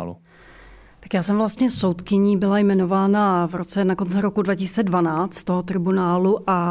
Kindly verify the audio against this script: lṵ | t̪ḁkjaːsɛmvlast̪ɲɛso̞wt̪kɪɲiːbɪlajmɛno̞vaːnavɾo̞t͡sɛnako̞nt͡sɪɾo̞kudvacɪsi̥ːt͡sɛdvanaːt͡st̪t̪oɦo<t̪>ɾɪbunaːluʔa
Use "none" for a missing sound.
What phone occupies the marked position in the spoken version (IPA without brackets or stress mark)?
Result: t̪